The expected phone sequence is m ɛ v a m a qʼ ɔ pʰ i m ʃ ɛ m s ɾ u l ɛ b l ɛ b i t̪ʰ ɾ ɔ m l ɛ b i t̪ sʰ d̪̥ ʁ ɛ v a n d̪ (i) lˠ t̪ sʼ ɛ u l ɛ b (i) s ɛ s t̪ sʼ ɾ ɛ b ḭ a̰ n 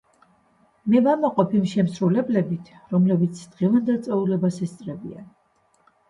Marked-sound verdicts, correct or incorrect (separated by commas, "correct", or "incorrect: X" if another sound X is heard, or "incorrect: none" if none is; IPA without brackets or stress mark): incorrect: ɛ, incorrect: a